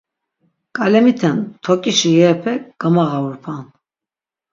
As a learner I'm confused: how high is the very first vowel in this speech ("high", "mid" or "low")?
low